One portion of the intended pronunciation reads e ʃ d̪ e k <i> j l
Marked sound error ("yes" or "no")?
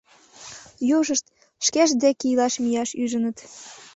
no